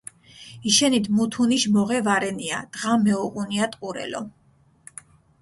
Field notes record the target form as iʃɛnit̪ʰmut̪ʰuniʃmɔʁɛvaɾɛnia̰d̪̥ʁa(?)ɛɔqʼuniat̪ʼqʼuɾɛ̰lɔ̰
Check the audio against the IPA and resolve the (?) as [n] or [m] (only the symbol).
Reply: m